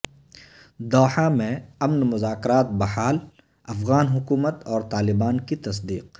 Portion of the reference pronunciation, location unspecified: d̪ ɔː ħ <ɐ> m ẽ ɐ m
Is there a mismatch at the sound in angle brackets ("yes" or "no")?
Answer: yes